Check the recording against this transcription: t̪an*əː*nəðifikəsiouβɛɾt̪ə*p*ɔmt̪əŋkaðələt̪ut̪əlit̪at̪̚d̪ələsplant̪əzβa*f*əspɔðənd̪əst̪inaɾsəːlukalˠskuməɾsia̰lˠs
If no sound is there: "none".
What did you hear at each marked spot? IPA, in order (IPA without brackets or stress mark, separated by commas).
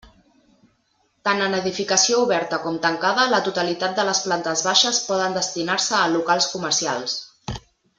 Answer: ə, k, ʃ